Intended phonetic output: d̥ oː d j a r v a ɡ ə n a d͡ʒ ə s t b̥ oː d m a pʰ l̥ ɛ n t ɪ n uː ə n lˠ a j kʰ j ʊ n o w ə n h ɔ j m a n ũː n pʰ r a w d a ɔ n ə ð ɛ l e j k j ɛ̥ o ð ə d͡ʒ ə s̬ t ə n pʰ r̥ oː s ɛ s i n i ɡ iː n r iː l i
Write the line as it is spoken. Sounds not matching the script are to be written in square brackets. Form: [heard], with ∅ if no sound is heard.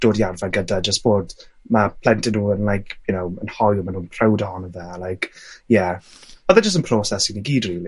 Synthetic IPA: d̥ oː d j a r v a ɡ ə [d] a d͡ʒ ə s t b̥ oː d m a pʰ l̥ ɛ n t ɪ n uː ə n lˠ a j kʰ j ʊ n o w ə n h ɔ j m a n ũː n pʰ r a w d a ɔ n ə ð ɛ l [a] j k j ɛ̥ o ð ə d͡ʒ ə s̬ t ə n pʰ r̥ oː s ɛ s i n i ɡ iː [d] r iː l i